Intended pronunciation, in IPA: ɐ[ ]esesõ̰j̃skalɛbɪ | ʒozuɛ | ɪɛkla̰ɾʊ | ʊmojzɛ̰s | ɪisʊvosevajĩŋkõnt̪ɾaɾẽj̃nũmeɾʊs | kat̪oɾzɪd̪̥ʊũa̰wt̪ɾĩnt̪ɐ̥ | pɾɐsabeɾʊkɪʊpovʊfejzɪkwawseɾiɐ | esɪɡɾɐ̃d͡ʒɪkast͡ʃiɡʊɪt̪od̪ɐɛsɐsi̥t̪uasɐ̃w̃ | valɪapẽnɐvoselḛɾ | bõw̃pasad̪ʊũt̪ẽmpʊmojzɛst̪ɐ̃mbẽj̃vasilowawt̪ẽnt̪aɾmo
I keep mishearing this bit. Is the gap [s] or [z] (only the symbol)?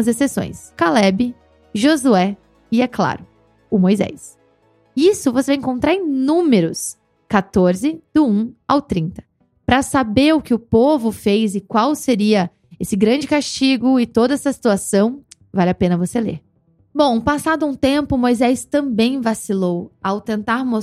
z